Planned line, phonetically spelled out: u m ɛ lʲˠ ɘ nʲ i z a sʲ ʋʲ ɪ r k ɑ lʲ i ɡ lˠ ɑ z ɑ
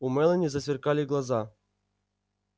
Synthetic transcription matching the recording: u m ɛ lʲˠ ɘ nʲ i z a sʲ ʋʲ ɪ r k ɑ lʲ i ɡ lˠ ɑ z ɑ